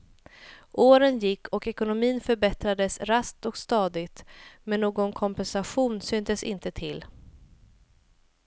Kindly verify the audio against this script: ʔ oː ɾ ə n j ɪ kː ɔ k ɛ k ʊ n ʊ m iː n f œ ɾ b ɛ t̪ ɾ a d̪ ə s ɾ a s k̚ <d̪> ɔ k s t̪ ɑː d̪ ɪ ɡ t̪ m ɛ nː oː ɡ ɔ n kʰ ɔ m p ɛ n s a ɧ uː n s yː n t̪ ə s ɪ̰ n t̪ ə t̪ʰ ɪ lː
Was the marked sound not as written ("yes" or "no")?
yes